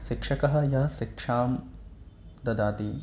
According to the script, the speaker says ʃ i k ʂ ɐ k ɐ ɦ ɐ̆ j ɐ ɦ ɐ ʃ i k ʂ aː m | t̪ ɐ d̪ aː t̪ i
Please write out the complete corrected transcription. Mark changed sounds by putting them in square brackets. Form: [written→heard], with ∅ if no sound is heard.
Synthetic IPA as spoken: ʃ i k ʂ ɐ k ɐ ɦ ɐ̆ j ɐ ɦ ɐ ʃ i k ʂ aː m | [t̪→d̪] ɐ d̪ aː t̪ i